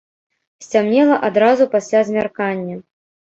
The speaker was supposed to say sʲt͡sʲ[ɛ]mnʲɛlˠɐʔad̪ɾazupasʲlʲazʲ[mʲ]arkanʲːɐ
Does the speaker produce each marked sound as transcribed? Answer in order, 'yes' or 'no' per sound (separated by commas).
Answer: no, yes